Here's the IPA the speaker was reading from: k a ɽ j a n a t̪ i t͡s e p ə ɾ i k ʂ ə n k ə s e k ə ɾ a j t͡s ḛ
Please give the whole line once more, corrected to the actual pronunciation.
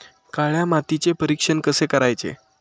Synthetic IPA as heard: k a ɭ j a m a t̪ i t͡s e p ə ɾ i k ʂ ə n k ə s e k ə ɾ a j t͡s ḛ